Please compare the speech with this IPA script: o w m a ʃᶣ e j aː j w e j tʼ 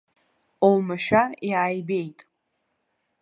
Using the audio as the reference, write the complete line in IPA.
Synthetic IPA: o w m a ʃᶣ a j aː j b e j tʼ

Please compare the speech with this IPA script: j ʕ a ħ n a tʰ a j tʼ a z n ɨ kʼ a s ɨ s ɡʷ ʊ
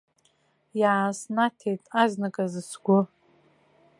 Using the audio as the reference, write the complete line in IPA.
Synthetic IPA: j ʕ a s n a tʰ e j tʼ a z n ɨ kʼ a z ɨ s ɡʷ ʊ

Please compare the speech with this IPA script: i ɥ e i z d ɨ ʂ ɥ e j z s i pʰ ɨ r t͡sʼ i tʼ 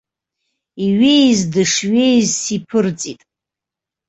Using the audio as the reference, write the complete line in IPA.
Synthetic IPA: i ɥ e j z d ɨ ʂ ɥ e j z s i pʰ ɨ r t͡sʼ i tʼ

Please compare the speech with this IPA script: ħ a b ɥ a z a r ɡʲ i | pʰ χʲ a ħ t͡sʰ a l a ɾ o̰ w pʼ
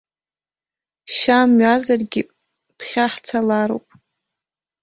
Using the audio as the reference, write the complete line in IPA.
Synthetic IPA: ʃ a m ɥ a z a r ɡʲ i | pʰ χʲ a ħ t͡sʰ a l a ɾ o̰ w pʼ

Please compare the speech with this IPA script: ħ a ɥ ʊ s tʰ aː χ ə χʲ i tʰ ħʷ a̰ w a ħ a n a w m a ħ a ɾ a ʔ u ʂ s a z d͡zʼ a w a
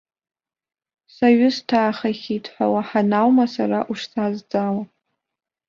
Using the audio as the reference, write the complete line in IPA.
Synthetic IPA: s a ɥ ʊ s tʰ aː χ a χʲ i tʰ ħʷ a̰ w a ħ a n a w m a s a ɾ a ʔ u ʂ s a z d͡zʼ a w a

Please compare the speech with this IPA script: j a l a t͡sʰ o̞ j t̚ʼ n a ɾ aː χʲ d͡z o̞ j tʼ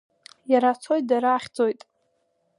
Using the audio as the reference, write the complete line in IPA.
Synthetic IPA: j a ɾ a t͡sʰ o̞ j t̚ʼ d a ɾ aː χʲ d͡z o̞ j tʼ

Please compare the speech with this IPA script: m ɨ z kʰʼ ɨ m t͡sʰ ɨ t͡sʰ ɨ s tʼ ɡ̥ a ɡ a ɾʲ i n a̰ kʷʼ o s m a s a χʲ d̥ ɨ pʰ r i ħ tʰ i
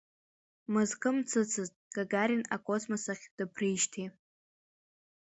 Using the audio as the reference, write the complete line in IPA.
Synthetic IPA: m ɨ z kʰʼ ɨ m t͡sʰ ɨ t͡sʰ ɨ z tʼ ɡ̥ a ɡ a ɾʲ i n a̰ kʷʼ o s m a s a χʲ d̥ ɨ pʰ r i ʃ tʰ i

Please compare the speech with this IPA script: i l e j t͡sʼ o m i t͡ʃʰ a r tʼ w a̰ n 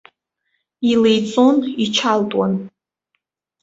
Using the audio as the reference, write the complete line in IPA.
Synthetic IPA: i l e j t͡sʼ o n i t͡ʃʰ a l tʼ w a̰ n

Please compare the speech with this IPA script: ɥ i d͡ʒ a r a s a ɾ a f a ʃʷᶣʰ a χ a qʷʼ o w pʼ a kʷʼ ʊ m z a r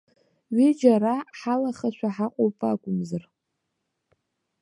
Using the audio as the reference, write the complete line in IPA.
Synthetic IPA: ɥ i d͡ʒ a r a ħ a l a χ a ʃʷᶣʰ a ħ a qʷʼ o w pʼ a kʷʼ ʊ m z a r

